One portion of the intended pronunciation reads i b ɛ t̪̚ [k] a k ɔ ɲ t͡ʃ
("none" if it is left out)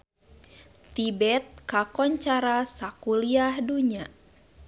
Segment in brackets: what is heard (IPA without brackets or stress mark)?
k